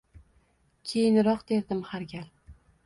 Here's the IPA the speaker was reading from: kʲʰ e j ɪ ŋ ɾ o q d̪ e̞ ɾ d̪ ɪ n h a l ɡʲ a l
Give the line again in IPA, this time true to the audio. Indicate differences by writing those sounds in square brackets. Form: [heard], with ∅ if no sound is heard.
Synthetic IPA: kʲʰ e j ɪ [n] ɾ [ɒ] q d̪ e̞ ɾ d̪ ɪ [m] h a [ɾ] ɡʲ a l